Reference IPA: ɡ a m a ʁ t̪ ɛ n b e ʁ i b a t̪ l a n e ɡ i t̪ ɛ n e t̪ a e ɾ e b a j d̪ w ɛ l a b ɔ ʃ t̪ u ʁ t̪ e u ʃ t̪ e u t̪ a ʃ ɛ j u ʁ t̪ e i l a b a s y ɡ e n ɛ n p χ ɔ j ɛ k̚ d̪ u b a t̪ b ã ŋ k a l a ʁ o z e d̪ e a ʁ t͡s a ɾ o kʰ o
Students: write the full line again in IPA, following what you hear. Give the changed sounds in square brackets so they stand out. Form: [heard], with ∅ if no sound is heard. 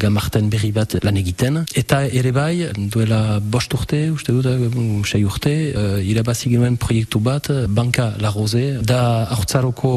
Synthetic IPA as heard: ɡ a m a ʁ t̪ ɛ n b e ʁ i b a t̪ l a n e ɡ i t̪ ɛ n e t̪ a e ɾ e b a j d̪ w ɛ l a b ɔ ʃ t̪ u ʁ t̪ e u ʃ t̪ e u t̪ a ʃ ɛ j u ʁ t̪ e i l a b a s [i] ɡ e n ɛ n p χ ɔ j ɛ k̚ [t̪] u b a t̪ b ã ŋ k a l a ʁ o z e d̪ [a] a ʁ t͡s a ɾ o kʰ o